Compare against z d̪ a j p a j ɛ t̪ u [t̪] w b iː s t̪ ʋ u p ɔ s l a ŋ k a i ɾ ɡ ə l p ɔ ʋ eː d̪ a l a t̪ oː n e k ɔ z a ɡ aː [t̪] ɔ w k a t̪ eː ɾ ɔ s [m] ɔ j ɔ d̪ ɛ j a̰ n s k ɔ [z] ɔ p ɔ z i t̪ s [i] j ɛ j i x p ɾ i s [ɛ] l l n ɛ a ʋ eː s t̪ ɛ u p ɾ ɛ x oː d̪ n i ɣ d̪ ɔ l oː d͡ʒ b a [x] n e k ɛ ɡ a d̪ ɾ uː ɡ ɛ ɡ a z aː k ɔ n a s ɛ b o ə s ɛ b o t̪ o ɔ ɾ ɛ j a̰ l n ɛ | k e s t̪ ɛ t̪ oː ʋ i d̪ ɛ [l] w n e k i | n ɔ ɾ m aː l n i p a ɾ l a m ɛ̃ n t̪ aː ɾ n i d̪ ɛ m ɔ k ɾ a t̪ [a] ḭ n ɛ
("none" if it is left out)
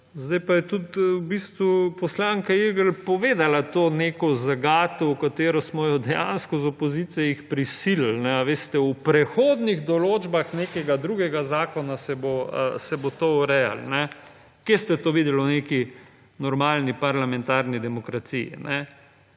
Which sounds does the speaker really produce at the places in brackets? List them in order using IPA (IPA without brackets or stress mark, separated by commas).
t̪, t̪, m, z, i, i, x, l, i